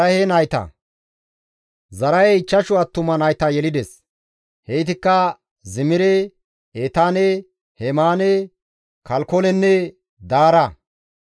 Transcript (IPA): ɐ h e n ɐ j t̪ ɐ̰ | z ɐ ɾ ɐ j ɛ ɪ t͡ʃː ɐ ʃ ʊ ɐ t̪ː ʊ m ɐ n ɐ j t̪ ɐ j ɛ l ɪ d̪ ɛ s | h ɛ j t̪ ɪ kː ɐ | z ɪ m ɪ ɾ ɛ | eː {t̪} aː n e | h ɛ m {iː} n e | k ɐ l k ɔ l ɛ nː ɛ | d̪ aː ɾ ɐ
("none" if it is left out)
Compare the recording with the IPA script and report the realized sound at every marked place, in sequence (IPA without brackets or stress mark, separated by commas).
t̪, aː